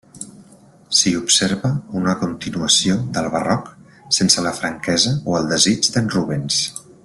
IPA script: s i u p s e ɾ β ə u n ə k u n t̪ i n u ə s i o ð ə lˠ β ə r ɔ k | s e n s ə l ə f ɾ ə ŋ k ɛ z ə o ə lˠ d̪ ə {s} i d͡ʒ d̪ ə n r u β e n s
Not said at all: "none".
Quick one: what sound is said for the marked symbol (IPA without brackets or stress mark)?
z